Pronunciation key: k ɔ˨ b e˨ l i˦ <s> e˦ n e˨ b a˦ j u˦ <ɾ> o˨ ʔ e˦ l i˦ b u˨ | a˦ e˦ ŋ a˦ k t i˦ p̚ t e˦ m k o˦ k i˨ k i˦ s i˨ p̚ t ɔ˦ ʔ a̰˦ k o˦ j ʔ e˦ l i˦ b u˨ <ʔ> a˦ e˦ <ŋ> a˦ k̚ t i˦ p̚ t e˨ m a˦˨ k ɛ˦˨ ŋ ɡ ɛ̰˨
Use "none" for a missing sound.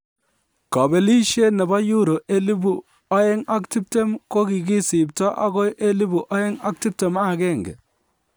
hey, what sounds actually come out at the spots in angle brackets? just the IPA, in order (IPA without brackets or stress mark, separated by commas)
ʃ, ɾ, ʔ, ŋ